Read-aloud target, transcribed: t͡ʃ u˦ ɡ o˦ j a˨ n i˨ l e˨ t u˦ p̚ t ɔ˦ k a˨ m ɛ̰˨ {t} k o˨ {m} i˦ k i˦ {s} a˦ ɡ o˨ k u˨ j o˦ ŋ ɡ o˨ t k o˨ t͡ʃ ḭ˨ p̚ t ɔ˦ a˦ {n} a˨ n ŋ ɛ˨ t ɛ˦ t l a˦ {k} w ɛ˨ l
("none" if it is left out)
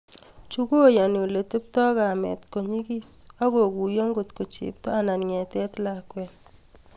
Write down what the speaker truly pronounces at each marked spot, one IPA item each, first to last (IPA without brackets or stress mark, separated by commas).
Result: t, ɲ, s, n, k